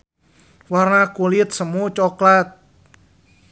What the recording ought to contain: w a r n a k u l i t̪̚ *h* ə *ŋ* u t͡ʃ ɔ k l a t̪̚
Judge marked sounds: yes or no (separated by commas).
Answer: no, no